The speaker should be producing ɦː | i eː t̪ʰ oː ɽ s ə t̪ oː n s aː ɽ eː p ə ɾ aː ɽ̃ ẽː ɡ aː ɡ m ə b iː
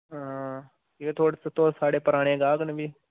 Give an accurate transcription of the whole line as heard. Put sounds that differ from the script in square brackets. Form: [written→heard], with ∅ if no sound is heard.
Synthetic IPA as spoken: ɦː | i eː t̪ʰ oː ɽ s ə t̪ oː [n→∅] s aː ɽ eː p ə ɾ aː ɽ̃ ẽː ɡ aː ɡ [m→n] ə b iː